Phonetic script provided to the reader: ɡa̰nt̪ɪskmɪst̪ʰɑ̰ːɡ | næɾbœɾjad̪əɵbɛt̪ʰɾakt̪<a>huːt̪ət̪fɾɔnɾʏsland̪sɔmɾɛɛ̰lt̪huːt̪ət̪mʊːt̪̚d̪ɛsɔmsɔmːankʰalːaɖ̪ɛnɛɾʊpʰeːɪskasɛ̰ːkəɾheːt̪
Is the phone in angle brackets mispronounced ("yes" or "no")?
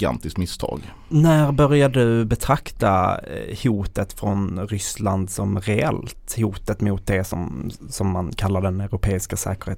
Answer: no